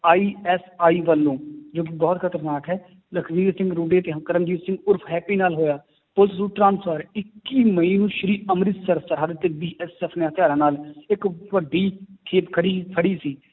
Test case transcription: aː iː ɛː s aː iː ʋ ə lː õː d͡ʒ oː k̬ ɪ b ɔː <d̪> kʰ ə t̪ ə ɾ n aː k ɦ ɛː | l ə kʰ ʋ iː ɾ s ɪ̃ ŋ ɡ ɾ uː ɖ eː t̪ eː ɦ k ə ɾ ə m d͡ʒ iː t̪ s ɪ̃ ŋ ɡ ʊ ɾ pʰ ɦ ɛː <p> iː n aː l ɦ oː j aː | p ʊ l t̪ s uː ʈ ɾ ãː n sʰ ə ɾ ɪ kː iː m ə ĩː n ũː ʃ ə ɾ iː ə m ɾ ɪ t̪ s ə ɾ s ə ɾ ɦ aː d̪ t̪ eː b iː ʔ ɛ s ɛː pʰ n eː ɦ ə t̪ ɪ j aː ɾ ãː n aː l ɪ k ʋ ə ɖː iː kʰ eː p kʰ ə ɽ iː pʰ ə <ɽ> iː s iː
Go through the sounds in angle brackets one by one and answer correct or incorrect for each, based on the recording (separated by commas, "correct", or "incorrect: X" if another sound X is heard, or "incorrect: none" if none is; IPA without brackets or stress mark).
incorrect: t̪, correct, correct